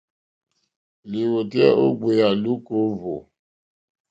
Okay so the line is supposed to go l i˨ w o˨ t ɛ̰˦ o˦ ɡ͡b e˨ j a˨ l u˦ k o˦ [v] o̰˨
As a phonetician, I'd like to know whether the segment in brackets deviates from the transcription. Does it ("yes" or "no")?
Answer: no